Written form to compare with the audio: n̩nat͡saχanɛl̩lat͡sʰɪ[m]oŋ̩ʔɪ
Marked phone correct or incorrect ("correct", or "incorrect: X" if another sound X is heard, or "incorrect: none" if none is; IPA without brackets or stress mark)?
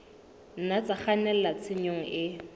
incorrect: ɲ